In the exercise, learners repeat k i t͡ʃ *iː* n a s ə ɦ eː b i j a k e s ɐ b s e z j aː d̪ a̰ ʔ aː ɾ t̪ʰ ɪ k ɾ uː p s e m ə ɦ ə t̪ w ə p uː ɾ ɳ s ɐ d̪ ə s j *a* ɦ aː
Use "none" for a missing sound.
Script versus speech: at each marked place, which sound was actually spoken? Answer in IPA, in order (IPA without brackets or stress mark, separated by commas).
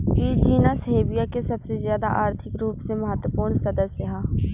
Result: iː, ə